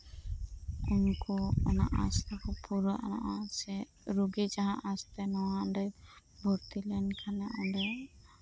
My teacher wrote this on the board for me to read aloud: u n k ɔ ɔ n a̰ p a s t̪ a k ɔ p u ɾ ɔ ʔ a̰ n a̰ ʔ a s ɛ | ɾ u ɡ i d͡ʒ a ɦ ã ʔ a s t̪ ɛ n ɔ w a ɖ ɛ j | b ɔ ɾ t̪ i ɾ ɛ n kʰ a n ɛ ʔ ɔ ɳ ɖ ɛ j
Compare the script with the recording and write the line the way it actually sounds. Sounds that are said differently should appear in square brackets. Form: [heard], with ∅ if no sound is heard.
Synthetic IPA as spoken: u n k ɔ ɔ n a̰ [ʔ] a s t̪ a k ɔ p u ɾ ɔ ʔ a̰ n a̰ ʔ a s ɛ | ɾ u ɡ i d͡ʒ a ɦ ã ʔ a s t̪ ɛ n ɔ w a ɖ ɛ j | b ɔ ɾ t̪ i [l] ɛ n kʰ a n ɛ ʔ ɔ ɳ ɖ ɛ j